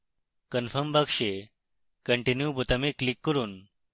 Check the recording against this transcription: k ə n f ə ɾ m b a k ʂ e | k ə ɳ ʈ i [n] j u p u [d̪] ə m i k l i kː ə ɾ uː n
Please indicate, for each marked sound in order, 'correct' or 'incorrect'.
correct, incorrect: t̪

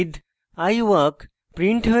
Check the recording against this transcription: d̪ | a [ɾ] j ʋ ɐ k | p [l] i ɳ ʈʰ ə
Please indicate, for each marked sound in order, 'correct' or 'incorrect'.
incorrect: none, incorrect: ɾ

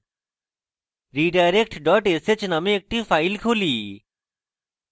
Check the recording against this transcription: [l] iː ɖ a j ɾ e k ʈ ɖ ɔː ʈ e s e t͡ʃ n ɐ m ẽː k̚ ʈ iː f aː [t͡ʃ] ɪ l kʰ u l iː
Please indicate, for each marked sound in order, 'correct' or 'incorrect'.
incorrect: ɾ, incorrect: none

